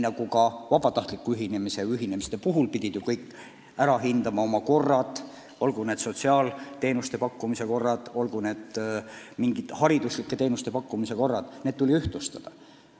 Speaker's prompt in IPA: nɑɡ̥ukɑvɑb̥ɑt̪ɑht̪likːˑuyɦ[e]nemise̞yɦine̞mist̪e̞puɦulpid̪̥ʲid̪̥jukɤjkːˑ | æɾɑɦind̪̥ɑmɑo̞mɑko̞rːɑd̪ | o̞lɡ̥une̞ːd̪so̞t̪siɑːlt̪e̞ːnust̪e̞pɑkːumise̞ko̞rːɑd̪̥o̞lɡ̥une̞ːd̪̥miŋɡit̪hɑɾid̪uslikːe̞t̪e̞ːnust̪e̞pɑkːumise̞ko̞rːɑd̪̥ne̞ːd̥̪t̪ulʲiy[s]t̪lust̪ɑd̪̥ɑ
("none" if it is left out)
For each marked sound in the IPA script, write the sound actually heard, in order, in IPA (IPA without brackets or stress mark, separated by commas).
i, h